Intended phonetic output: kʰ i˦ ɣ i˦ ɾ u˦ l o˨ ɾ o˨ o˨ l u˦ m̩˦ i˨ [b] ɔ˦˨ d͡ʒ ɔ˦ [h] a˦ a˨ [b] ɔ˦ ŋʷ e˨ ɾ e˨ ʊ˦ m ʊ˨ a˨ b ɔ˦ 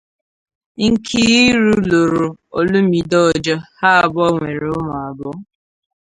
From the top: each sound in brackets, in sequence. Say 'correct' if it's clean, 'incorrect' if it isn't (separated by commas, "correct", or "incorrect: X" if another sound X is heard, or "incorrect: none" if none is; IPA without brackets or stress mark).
incorrect: d, correct, correct